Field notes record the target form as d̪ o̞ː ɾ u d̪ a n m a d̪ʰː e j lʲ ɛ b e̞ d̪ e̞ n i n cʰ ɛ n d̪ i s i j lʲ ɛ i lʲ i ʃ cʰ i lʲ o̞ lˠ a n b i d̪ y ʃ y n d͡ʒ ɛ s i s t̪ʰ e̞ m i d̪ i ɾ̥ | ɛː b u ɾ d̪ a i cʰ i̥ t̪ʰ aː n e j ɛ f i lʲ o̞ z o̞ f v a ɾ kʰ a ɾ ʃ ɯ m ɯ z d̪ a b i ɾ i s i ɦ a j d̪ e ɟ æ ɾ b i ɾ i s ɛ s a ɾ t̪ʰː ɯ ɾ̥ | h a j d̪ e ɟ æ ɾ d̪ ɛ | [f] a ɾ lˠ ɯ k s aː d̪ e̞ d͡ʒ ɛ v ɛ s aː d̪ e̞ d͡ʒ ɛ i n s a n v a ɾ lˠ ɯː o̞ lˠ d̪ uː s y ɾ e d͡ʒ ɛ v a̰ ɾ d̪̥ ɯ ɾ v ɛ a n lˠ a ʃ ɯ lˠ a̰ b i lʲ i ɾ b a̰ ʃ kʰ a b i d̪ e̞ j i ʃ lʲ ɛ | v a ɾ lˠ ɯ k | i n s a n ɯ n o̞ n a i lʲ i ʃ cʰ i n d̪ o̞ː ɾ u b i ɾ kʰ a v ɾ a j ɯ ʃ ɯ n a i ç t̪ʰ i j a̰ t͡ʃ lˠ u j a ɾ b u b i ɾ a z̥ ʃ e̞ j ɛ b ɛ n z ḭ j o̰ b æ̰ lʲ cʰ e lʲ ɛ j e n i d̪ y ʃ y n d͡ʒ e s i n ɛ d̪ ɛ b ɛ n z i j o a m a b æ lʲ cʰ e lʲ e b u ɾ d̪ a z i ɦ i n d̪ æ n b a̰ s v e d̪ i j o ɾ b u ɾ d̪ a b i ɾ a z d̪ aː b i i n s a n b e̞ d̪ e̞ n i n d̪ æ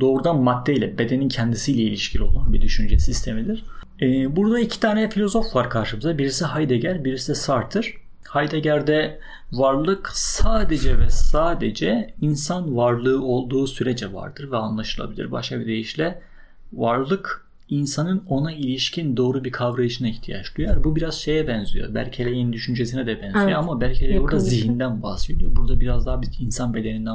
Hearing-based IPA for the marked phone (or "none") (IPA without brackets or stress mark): v